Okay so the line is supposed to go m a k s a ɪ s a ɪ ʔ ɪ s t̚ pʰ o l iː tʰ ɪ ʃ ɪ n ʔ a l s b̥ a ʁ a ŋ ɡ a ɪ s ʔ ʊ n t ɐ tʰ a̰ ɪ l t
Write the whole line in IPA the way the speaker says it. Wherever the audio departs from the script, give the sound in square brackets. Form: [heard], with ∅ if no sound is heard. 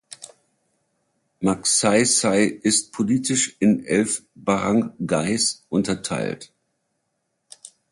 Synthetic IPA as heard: m a k s a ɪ s a ɪ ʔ ɪ s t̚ pʰ o l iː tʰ ɪ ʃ ɪ n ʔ [ɛ] l [f] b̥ a ʁ a ŋ ɡ a ɪ s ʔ ʊ n t ɐ tʰ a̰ ɪ l t